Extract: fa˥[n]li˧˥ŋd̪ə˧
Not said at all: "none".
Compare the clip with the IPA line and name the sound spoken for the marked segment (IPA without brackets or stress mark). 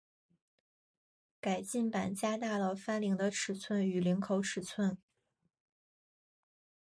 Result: n